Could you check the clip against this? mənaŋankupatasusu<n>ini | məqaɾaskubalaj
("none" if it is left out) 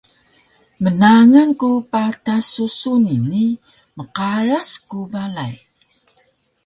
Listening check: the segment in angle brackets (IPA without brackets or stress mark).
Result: n